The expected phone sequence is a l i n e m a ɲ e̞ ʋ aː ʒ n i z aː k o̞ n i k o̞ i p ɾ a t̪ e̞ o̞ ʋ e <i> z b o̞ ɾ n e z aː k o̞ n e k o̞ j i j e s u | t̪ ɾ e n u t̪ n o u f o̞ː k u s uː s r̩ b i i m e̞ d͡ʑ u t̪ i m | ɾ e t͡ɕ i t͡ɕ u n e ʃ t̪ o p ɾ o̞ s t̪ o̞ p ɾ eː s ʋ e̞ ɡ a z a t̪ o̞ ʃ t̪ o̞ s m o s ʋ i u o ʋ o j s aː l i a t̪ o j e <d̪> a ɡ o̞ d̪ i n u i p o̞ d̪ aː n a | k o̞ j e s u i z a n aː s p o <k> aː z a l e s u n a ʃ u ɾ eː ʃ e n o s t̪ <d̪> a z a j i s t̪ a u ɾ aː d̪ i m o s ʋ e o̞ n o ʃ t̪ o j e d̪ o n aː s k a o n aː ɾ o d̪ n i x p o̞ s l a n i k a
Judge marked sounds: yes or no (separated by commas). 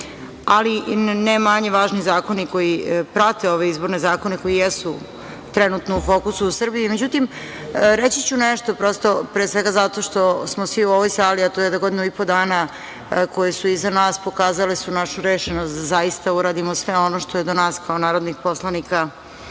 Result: yes, yes, yes, yes